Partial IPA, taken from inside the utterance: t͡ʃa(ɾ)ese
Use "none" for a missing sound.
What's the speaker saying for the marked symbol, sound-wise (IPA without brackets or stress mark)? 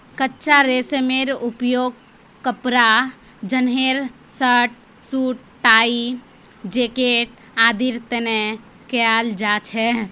ɾ